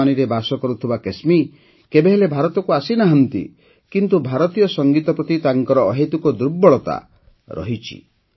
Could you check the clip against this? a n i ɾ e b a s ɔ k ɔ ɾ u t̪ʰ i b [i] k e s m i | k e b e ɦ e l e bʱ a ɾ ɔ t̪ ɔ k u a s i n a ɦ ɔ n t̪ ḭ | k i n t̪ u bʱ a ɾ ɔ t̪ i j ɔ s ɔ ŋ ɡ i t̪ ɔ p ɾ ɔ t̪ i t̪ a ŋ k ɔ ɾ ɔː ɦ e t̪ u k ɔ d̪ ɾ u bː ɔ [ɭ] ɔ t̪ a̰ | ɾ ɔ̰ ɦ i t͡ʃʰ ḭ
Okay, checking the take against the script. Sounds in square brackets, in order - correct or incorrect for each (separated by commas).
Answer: incorrect, correct